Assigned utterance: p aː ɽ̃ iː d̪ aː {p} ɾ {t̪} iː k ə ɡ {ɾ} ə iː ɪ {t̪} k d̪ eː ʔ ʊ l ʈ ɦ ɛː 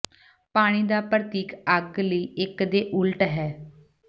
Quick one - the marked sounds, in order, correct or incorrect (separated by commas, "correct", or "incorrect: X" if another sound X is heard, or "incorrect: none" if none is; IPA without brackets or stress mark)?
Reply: correct, correct, incorrect: l, incorrect: none